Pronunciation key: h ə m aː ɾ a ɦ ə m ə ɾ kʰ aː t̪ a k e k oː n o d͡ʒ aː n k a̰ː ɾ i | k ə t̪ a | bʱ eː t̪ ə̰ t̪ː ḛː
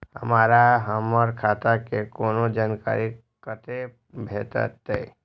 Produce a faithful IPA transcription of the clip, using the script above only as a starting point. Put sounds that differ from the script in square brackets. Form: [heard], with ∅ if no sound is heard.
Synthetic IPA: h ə m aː ɾ a ɦ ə m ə ɾ kʰ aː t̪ a k e k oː n o d͡ʒ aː n k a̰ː ɾ i | k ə t̪ [e] | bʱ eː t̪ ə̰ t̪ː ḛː